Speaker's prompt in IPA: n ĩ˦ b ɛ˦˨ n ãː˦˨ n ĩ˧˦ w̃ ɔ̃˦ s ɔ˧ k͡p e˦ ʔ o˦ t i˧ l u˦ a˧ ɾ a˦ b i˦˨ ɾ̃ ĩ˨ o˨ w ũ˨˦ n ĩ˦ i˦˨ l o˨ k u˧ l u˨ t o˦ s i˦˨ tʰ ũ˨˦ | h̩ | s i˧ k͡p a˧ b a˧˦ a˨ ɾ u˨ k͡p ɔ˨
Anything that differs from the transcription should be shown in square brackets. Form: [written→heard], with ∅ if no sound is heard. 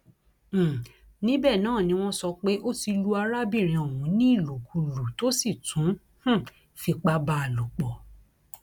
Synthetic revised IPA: n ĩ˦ b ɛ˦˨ n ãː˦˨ n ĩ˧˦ w̃ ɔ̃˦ s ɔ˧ k͡p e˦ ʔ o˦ t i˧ l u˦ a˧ ɾ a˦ b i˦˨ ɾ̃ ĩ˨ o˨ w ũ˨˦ n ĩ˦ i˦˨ l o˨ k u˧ l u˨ t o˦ s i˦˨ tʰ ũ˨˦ | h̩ | [s→f] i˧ k͡p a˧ b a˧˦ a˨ [ɾ→l] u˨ k͡p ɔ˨